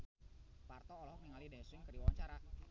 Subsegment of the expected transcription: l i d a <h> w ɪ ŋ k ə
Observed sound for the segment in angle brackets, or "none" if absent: s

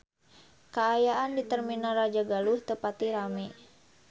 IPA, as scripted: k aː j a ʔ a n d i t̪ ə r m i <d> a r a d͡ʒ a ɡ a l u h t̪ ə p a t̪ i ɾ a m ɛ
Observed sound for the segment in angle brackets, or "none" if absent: n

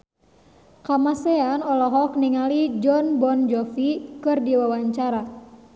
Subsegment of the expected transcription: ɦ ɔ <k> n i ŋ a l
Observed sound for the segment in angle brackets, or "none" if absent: k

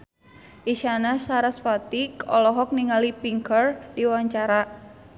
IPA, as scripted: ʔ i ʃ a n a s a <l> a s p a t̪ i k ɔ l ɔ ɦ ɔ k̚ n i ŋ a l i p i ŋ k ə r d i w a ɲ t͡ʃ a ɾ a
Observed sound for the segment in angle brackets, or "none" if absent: ɾ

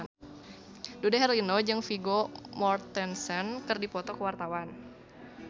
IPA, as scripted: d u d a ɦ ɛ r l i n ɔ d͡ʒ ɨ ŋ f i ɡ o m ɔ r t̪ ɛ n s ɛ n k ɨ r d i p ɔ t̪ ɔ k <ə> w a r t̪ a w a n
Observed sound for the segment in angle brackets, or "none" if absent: ə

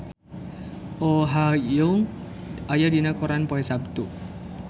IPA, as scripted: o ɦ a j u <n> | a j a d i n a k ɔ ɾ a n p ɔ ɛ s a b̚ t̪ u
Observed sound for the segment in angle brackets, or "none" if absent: ŋ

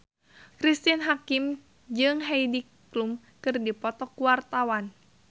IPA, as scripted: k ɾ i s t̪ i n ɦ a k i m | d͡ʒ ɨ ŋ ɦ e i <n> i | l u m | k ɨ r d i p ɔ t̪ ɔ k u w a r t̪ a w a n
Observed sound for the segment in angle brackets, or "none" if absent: d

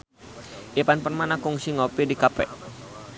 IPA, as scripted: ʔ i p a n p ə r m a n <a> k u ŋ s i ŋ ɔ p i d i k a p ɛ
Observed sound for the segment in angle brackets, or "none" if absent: a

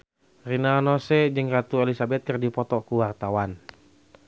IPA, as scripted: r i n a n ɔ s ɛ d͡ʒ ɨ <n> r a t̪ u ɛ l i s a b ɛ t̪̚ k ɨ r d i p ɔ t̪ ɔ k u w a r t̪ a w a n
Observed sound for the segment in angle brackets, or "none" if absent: ŋ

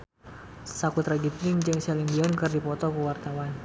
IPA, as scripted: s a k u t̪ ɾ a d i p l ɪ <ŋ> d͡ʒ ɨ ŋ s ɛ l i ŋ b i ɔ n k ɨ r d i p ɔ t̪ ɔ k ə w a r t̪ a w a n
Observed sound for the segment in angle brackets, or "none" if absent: ŋ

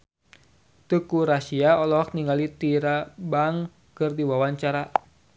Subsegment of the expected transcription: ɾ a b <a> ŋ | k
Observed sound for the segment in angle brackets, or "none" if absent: a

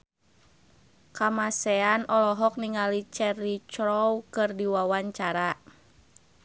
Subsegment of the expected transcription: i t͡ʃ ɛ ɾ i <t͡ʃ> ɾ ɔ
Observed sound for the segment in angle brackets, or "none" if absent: t͡ʃ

